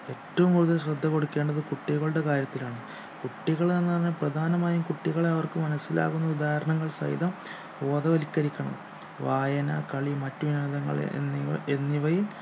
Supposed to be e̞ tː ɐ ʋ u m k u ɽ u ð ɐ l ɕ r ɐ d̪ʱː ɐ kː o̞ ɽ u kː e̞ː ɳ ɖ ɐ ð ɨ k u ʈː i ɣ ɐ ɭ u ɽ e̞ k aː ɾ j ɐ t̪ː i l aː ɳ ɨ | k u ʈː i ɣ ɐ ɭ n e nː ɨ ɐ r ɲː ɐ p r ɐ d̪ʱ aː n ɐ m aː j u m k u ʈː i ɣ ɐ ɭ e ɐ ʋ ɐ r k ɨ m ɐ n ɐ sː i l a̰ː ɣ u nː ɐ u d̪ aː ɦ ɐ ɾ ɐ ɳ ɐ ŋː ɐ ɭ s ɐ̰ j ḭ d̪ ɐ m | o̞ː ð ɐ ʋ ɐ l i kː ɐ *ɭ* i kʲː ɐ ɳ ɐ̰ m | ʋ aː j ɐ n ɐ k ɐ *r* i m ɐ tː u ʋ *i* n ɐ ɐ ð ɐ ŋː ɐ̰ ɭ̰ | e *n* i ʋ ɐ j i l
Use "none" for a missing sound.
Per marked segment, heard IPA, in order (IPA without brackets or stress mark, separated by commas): ɾ, ɭ, i, nː